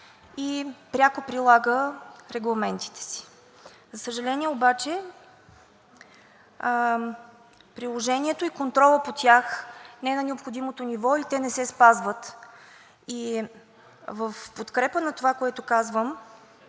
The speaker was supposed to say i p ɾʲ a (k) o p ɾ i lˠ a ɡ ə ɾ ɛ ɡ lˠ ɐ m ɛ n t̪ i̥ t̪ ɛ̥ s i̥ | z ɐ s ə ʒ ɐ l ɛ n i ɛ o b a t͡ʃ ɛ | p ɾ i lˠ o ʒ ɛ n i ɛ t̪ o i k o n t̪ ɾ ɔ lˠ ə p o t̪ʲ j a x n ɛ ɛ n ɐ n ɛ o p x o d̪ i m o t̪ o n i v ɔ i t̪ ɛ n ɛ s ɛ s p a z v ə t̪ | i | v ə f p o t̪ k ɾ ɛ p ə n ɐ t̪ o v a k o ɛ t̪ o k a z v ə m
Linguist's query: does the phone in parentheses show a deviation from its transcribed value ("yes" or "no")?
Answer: no